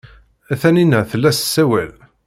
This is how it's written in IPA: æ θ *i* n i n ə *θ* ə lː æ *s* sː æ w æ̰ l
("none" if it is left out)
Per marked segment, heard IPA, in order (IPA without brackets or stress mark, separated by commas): æ, θ, s